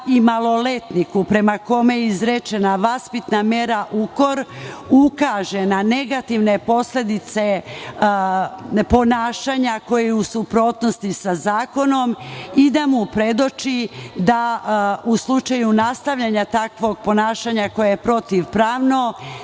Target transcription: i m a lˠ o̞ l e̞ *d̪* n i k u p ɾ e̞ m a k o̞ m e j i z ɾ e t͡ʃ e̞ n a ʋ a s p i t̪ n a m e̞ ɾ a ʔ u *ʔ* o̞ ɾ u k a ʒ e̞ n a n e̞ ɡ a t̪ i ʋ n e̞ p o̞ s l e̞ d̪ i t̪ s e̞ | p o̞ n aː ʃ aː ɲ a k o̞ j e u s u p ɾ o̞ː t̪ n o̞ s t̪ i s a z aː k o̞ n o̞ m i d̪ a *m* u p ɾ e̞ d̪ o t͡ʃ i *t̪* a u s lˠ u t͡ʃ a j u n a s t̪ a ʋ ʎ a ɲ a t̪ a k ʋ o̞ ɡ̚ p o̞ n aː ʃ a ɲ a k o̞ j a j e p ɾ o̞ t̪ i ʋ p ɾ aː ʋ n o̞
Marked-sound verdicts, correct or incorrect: incorrect: t̪, incorrect: k, correct, incorrect: d̪

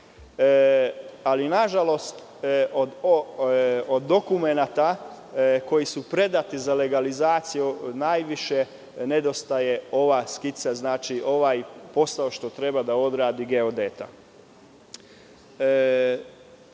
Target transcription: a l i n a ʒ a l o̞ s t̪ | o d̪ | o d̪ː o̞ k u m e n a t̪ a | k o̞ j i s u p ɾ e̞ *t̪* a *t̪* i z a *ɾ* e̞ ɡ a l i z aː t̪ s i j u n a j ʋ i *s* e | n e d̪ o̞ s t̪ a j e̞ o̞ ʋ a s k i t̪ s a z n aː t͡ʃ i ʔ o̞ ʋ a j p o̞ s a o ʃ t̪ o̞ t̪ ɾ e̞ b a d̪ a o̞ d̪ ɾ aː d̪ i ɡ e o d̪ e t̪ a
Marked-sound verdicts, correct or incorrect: incorrect: d̪, correct, incorrect: l, incorrect: ʃ

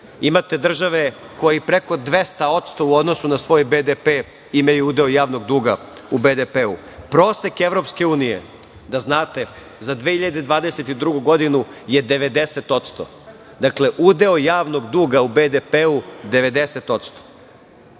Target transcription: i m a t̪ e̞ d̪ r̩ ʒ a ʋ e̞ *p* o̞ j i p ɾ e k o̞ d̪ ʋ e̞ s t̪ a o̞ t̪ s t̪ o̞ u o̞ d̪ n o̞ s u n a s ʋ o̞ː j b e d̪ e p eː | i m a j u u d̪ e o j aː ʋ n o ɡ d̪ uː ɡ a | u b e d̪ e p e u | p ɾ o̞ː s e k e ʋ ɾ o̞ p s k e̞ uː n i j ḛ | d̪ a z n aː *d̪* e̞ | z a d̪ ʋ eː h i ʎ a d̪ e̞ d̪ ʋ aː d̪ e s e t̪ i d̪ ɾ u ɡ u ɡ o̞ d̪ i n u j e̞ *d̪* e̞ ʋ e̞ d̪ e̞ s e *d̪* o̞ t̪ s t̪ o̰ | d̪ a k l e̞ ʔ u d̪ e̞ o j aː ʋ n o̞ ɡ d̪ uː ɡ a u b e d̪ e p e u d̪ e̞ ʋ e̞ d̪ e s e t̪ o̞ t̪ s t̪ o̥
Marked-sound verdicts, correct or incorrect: incorrect: k, incorrect: t̪, correct, incorrect: t̪

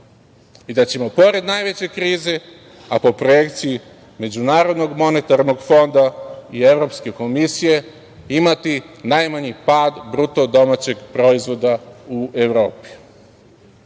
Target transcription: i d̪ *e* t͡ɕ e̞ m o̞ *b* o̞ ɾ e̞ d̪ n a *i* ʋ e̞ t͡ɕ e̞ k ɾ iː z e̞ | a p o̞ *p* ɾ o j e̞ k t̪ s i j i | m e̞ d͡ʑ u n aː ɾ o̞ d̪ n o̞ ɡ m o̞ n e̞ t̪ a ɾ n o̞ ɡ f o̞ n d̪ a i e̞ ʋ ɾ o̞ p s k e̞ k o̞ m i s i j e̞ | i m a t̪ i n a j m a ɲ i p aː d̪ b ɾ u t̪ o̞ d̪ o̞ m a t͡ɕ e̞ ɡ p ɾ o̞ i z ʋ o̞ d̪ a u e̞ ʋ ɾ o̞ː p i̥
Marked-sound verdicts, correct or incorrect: incorrect: a, incorrect: p, incorrect: j, correct

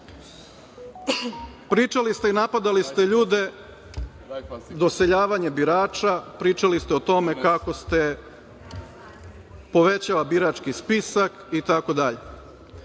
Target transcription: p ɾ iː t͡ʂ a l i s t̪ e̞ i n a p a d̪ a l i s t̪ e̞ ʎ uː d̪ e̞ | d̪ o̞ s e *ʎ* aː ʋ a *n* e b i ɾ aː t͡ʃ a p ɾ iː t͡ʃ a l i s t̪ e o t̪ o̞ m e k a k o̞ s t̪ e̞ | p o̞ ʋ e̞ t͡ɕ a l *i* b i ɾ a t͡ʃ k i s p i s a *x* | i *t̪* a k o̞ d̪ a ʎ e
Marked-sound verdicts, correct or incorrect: correct, incorrect: ɲ, incorrect: a, incorrect: k, correct

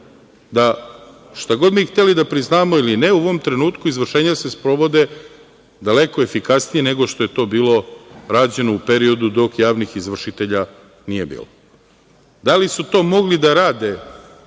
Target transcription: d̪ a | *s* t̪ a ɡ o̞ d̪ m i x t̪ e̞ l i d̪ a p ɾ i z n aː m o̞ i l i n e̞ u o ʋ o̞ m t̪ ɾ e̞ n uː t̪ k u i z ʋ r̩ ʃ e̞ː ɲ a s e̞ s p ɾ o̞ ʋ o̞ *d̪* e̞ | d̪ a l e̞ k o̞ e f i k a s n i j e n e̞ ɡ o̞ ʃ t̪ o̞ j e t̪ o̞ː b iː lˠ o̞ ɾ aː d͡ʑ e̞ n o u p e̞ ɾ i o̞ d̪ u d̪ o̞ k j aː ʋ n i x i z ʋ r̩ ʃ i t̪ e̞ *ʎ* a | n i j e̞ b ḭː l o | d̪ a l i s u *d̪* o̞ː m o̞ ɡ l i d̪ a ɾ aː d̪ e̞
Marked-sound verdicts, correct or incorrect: incorrect: ʃ, correct, correct, incorrect: t̪

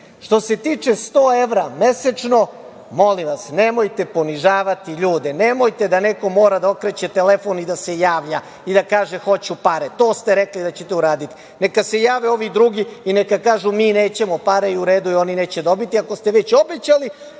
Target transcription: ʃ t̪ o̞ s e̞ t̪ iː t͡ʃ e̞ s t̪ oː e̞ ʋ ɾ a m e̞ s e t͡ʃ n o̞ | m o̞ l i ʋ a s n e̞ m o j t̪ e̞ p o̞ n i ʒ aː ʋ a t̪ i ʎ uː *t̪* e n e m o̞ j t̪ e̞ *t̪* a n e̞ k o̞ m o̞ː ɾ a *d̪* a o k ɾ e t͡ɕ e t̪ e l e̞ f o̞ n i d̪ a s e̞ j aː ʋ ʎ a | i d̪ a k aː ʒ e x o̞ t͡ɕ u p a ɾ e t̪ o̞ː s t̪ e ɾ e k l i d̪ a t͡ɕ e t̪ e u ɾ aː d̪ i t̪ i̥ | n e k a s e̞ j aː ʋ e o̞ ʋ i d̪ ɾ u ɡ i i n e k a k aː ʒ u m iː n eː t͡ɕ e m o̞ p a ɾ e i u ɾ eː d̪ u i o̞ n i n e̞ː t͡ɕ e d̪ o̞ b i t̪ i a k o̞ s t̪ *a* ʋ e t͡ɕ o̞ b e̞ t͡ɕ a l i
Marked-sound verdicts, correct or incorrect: incorrect: d̪, incorrect: d̪, correct, incorrect: e

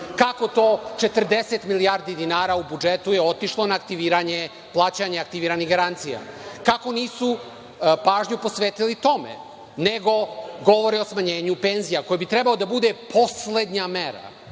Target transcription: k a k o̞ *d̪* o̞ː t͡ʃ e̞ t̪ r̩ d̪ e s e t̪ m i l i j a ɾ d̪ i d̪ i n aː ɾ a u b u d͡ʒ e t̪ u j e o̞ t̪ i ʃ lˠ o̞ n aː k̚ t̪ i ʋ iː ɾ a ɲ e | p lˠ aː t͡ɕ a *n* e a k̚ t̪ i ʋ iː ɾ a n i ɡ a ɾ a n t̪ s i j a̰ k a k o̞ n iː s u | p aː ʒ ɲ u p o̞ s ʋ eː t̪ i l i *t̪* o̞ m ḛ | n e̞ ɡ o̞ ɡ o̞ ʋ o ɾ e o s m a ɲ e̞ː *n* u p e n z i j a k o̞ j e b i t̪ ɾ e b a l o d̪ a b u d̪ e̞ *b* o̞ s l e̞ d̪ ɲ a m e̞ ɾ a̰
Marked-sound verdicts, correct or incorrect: incorrect: t̪, incorrect: ɲ, correct, incorrect: ɲ, incorrect: p

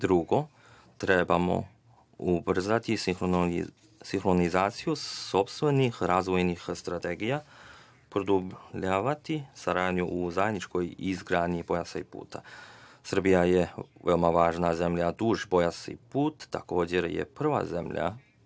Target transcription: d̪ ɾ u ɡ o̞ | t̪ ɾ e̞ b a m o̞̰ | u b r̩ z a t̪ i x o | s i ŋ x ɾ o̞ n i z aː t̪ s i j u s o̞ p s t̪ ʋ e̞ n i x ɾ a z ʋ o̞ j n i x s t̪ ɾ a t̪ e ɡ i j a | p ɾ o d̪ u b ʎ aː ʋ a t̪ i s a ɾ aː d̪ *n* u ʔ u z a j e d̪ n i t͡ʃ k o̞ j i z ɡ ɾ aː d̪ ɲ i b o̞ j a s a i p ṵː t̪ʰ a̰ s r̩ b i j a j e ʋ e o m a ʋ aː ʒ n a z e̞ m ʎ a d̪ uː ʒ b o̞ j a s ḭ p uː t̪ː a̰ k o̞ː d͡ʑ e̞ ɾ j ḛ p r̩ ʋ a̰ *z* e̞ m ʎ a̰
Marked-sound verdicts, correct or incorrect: incorrect: ɲ, correct

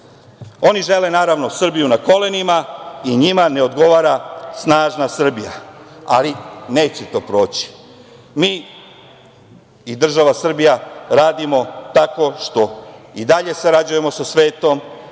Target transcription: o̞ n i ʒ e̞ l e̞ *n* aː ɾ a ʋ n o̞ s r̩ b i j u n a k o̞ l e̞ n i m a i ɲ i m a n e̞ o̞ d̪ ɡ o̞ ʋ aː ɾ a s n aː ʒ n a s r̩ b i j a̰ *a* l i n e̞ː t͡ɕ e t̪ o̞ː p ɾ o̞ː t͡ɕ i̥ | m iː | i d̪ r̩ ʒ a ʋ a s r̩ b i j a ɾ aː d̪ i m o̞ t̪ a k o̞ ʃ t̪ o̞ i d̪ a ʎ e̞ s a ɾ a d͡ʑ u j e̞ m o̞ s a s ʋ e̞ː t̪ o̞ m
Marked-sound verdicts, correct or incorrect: correct, correct

